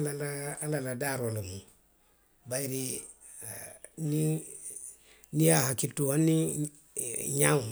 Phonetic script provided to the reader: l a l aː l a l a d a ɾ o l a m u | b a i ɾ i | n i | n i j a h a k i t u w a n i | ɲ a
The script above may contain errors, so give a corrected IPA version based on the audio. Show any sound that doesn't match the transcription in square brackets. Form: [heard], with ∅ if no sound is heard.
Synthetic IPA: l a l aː l a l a d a ɾ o l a m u | b a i ɾ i | n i | n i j a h a k i t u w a n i | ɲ a